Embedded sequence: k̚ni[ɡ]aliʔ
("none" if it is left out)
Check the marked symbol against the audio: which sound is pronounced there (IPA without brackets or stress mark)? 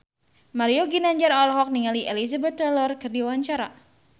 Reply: ŋ